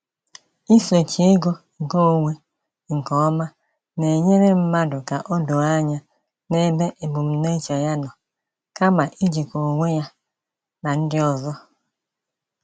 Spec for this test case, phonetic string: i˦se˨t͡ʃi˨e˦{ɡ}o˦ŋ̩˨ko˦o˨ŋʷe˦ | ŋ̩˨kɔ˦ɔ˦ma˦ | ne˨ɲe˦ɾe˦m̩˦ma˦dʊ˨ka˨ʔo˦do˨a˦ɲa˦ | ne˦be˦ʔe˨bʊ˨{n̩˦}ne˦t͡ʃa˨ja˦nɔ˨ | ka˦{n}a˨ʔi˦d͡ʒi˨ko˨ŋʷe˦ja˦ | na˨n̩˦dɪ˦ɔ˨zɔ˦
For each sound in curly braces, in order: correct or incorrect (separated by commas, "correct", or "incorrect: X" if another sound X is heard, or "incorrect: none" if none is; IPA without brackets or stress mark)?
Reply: correct, incorrect: m̩˦, incorrect: m